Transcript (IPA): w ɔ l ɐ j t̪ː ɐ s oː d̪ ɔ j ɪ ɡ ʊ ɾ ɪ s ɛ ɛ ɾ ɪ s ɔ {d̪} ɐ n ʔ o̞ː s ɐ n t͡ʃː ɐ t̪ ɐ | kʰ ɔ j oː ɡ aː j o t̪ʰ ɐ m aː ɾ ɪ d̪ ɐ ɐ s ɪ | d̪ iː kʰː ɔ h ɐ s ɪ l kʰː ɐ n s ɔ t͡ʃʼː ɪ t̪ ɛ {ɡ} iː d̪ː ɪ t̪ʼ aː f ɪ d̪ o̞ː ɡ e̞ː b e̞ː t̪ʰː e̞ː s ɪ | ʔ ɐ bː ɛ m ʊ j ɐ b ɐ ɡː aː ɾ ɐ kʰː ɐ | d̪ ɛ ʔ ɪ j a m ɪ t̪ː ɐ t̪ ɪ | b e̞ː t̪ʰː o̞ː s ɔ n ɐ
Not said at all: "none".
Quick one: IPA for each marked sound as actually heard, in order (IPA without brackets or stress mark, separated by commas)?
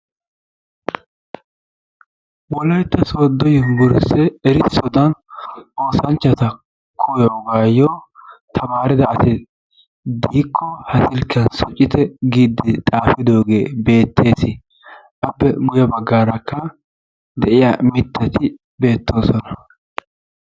d̪, ɡ